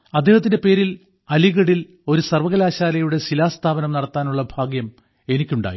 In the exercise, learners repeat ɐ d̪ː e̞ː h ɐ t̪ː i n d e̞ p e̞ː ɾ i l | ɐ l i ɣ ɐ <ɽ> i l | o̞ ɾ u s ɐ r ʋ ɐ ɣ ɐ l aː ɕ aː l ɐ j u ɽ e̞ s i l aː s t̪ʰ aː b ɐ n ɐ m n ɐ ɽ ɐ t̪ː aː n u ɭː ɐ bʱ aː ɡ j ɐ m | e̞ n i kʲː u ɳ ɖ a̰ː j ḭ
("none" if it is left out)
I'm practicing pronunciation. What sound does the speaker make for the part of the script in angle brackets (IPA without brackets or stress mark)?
ɽ